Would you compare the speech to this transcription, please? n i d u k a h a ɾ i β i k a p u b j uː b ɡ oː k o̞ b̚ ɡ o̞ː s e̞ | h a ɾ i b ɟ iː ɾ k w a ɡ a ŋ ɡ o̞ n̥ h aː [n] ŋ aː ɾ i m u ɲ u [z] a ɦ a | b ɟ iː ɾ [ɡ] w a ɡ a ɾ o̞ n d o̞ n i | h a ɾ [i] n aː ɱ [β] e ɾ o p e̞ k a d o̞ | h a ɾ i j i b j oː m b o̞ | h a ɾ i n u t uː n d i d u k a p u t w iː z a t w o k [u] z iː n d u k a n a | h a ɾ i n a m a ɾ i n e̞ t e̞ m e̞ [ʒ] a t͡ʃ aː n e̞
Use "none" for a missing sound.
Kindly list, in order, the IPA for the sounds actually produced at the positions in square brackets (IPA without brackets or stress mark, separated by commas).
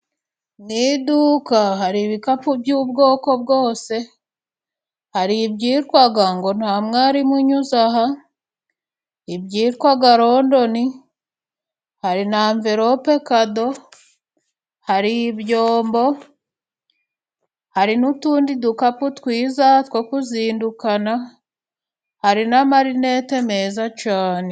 m, z, k, i, v, u, z